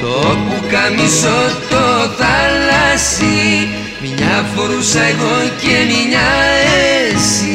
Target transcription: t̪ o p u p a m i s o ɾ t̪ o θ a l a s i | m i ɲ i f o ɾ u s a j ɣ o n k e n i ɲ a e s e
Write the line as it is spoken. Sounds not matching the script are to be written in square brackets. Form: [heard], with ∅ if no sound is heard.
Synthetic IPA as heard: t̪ o p u [k] a m i s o [∅] t̪ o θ a l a s i | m i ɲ [a] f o ɾ u s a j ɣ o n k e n i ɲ a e s [i]